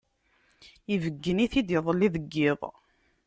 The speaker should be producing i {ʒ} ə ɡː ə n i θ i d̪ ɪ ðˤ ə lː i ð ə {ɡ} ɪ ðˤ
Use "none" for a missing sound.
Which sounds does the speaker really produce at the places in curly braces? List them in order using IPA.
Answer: v, ɡː

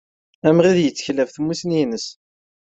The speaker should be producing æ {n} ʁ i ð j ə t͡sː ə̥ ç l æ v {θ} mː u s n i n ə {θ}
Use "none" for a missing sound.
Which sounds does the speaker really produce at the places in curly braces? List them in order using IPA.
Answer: m, θ, s

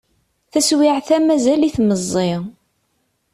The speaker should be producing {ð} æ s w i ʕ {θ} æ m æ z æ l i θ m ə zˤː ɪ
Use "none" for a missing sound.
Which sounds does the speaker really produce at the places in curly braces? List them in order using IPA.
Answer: θ, θ

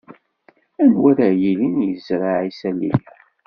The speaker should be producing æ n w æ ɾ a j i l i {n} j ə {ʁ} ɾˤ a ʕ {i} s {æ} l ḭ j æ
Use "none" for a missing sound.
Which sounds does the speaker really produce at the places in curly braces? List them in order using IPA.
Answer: n, z, i, æ

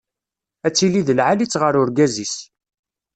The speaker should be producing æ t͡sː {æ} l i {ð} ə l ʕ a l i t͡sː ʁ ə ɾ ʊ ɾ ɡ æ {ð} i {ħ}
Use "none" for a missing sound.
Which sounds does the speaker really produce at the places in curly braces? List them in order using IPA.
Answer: i, ð, z, s

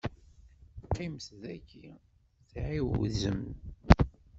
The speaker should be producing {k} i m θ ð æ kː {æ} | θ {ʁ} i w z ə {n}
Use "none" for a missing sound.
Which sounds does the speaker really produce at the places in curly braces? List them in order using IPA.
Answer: q, i, ʕ, m

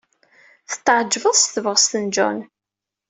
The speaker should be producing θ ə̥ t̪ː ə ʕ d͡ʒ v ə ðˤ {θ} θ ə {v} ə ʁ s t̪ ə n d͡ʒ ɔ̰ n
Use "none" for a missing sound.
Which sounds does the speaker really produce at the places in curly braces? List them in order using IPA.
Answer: s, v

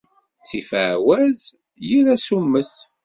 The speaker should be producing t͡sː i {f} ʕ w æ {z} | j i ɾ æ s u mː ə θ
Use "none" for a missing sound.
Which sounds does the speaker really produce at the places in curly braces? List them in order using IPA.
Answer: f, z

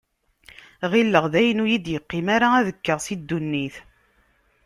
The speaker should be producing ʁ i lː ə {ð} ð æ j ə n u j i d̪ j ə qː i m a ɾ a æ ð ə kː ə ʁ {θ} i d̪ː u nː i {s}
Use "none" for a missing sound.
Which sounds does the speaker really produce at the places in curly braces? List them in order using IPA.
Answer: ʁ, s, θ

